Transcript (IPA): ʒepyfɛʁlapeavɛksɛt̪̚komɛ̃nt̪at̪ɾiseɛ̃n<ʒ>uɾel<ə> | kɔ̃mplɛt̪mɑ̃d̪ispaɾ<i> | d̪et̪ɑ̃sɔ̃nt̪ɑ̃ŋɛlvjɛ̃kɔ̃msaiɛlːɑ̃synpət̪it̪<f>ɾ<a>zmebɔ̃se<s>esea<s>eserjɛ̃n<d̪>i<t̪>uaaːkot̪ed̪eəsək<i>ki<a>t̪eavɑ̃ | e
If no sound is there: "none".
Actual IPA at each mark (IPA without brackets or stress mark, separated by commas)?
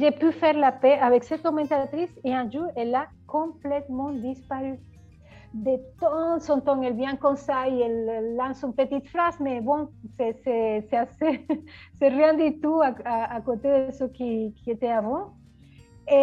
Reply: ʒ, a, y, f, a, s, s, d̪, t̪, i, e